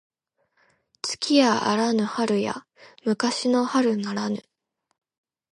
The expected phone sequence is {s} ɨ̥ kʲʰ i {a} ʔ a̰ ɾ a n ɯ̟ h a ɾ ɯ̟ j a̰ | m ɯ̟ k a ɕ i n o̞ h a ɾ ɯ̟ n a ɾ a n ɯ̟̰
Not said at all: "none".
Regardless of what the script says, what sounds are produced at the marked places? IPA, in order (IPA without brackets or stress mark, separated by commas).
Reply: t͡s, a